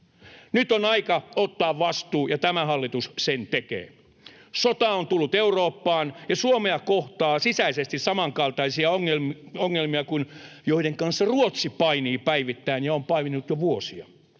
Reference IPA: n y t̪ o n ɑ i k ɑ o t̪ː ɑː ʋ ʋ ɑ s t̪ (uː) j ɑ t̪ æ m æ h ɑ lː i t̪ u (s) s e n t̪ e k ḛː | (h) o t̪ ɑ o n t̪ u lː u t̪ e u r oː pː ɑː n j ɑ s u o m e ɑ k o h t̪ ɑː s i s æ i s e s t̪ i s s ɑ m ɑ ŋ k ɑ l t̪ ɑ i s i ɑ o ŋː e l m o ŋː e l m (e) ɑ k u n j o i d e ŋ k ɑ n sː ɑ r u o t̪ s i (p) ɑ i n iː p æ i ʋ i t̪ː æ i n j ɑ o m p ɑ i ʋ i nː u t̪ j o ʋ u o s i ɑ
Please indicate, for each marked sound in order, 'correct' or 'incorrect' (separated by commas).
correct, correct, incorrect, incorrect, correct